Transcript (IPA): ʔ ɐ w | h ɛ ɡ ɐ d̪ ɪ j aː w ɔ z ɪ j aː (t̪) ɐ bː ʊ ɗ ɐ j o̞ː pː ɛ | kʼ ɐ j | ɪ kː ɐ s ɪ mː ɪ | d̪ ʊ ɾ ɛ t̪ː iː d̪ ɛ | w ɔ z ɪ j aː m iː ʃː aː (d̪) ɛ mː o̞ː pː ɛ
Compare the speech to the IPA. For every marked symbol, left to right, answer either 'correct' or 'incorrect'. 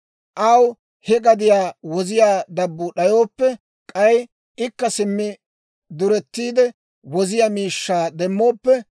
incorrect, correct

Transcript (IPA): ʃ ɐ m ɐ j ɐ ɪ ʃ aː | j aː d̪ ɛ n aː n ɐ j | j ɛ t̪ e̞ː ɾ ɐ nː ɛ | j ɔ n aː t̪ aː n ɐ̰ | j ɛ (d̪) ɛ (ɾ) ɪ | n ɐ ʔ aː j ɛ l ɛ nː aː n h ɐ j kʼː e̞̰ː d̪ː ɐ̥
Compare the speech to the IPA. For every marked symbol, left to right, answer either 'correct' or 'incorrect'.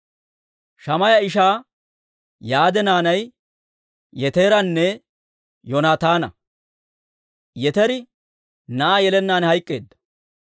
incorrect, correct

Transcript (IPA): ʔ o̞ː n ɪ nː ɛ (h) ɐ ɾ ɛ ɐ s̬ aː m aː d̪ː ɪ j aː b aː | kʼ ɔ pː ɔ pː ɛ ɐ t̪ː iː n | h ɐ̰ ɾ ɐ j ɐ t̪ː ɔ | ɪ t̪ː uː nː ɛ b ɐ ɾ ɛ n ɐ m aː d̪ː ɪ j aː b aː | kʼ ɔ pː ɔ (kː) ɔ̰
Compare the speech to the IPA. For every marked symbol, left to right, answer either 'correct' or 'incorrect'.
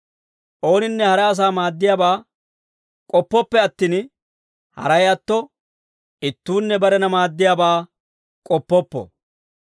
correct, incorrect

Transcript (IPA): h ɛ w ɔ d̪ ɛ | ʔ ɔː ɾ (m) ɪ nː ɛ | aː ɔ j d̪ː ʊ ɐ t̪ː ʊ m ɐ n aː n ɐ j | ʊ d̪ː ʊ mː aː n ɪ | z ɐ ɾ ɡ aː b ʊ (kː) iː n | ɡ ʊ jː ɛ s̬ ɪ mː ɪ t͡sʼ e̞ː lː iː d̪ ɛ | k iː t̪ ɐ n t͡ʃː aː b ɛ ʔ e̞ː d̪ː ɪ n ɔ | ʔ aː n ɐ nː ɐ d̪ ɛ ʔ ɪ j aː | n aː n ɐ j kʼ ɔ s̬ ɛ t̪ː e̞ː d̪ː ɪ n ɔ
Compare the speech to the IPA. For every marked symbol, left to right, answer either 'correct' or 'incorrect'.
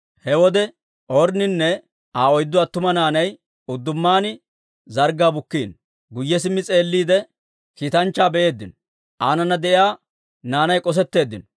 incorrect, correct

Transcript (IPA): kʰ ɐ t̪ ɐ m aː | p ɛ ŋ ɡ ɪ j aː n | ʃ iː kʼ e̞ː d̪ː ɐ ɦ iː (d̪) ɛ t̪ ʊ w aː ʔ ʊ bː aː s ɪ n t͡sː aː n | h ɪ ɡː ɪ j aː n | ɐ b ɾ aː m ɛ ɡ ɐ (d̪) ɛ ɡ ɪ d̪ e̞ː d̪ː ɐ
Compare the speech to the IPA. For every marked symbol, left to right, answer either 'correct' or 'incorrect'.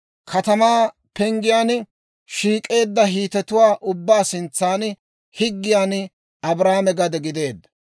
incorrect, correct

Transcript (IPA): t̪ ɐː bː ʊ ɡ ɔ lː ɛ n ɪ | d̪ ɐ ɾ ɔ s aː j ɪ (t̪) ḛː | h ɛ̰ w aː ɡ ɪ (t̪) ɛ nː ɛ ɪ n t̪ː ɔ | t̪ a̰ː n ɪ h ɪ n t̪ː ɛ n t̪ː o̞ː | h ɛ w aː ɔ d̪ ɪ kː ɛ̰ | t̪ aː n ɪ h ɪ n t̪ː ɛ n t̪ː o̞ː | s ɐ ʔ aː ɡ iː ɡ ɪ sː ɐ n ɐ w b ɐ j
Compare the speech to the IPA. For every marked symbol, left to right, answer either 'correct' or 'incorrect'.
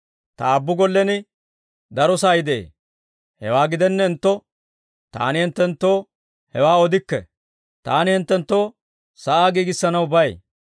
incorrect, incorrect

